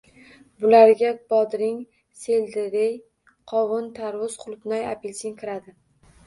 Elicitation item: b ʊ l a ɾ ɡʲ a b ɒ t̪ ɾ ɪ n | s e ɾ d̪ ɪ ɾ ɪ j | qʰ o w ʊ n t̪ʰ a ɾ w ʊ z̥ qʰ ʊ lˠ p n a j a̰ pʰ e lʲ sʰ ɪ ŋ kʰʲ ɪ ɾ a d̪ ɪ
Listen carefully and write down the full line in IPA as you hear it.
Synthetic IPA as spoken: b ʊ l a ɾ ɡʲ a b ɒ d̪ ɾ ɪ ŋ | s e l d̪ ɪ ɾ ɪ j | qʰ ɒ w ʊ n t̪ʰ a ɾ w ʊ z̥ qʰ ʊ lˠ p n a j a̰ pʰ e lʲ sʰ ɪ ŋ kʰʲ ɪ ɾ a d̪ ɪ